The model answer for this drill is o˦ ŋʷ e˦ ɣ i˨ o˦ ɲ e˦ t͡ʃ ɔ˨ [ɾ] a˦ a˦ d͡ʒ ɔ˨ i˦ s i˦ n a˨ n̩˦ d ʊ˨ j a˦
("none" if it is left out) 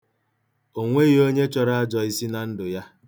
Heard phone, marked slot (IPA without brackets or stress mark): ɾ